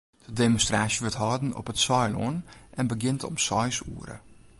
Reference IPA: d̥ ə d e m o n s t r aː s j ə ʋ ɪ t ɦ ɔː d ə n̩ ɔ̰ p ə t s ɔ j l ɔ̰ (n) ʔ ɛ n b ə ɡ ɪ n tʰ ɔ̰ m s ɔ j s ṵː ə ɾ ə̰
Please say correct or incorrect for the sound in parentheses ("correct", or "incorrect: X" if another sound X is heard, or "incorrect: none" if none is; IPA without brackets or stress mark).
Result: correct